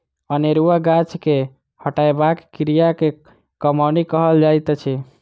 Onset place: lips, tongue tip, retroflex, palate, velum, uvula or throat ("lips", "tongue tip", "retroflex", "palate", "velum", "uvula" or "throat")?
tongue tip